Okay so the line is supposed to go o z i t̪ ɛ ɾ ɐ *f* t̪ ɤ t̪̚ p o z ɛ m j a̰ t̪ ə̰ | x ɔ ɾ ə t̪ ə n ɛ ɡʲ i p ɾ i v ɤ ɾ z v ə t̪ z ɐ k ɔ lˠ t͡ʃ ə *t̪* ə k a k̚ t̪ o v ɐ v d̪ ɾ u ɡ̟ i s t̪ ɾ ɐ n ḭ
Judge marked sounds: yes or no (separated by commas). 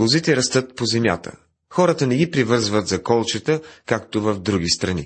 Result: no, yes